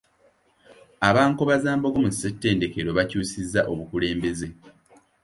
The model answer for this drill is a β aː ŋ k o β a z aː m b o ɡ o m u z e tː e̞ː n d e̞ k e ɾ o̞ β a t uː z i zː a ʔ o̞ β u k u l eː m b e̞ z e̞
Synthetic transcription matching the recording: a β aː ŋ k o β a z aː m b o ɡ o m u s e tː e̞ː n d e̞ k e ɾ o̞ β a c uː s i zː a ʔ o̞ β u k u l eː m b e̞ z e̞